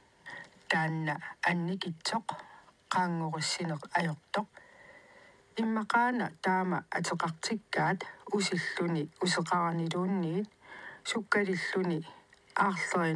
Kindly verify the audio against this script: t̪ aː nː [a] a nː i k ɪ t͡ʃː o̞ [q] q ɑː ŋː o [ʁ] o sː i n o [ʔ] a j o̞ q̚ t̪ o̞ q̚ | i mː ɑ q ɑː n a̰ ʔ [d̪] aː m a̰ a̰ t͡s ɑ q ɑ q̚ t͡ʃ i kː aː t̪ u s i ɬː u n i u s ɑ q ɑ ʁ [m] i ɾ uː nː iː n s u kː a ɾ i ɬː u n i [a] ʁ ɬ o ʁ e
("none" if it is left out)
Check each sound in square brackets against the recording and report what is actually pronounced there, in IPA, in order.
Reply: a, q, ʁ, q, t̪, n, ɑ

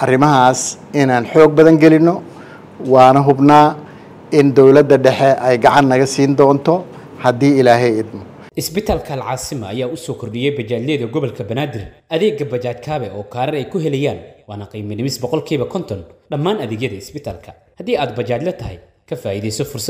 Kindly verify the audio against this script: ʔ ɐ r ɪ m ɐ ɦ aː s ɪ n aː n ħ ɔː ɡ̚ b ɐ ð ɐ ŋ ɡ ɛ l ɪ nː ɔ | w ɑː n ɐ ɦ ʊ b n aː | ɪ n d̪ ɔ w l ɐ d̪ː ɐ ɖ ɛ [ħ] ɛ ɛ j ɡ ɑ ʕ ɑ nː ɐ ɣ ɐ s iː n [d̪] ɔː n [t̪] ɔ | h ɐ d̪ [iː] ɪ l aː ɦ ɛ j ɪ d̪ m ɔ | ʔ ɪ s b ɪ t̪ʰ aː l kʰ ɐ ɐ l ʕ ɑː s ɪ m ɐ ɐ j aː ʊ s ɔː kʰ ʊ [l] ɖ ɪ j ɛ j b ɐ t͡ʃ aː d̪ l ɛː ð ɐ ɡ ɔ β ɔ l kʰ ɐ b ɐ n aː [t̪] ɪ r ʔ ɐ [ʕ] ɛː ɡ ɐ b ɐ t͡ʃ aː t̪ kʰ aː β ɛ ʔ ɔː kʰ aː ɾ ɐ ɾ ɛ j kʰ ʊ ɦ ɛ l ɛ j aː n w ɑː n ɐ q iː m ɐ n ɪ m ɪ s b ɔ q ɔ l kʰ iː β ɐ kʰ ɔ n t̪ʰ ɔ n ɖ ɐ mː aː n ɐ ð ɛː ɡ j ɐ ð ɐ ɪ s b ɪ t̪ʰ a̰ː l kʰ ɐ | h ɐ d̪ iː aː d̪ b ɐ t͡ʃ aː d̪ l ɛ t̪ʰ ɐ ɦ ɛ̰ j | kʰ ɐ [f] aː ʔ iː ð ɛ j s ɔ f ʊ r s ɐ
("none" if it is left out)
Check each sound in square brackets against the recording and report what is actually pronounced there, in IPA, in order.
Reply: ħ, d̪, t̪ʰ, iː, r, d̪, ð, f

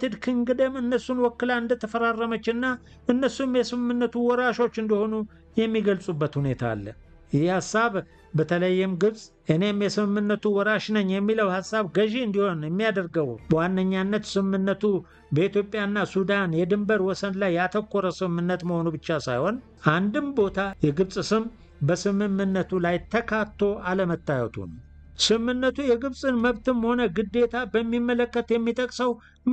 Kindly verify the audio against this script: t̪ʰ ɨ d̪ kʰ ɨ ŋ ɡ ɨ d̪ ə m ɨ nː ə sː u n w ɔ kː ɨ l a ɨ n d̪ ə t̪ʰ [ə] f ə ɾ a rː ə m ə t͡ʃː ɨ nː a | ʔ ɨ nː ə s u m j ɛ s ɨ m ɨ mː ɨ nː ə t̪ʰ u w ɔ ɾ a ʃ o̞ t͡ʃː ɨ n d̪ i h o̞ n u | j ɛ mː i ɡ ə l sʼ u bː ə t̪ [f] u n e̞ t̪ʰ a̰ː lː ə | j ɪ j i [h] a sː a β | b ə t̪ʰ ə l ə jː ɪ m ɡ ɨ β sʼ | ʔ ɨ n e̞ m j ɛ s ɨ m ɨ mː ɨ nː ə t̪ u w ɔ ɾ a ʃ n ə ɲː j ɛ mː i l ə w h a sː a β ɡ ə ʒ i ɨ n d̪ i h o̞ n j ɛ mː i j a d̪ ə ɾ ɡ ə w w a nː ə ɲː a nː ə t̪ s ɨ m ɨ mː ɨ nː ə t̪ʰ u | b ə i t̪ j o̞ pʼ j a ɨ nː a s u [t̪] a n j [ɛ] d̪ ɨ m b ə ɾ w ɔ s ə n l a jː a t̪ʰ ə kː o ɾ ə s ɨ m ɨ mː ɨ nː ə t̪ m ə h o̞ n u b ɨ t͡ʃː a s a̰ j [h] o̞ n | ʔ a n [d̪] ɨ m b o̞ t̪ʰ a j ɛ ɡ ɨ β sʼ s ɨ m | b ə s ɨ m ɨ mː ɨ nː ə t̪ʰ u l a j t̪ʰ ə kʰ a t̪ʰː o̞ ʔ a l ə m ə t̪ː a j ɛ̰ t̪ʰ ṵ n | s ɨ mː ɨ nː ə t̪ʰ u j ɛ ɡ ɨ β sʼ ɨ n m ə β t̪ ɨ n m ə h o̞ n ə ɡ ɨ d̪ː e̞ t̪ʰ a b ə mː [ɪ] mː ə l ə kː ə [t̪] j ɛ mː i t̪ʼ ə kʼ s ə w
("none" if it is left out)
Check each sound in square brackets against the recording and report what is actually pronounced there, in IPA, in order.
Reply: ə, h, h, d̪, ɛ, h, d̪, i, t̪

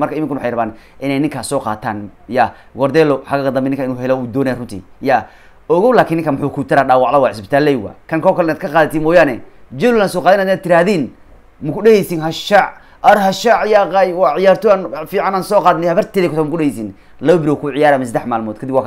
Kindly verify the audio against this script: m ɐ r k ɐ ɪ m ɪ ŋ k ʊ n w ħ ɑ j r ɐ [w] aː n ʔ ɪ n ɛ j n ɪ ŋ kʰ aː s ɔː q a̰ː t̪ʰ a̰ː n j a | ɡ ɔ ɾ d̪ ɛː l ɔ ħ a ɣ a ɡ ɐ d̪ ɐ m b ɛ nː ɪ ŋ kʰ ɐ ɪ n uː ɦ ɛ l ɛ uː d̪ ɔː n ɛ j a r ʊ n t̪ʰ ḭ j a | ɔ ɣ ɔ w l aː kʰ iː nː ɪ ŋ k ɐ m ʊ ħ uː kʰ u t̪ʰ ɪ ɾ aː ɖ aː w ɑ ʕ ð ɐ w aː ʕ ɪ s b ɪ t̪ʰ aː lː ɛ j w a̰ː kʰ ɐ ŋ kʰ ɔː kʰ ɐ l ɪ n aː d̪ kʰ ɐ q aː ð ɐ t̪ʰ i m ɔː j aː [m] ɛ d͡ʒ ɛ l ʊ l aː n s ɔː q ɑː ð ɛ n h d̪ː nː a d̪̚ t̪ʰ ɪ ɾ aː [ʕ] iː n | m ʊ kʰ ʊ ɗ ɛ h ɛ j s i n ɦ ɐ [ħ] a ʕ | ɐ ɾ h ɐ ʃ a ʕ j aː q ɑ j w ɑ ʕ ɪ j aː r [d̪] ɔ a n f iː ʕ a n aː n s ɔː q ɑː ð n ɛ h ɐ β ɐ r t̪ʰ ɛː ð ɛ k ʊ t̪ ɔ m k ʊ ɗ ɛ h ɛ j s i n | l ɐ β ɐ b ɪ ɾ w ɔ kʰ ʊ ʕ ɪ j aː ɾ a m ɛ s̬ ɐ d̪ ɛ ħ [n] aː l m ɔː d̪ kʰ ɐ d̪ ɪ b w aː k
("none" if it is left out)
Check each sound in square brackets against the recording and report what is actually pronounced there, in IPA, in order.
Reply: β, n, ð, ʃ, t̪, m

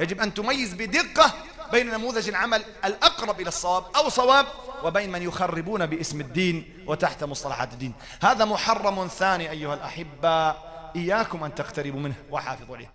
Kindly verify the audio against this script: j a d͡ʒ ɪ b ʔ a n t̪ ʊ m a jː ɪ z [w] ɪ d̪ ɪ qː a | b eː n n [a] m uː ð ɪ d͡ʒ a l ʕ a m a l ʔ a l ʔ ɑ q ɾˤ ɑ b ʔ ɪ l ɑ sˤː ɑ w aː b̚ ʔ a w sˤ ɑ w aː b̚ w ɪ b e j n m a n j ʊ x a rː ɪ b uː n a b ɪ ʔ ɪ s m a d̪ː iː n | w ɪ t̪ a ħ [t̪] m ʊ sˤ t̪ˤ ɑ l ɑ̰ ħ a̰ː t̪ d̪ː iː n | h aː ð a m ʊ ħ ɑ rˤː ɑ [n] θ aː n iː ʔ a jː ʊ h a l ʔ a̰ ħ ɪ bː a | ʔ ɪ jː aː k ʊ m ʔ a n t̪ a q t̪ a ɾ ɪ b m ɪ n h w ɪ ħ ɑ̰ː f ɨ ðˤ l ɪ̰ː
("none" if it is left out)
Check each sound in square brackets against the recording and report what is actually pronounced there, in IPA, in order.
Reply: b, a, t̪, m

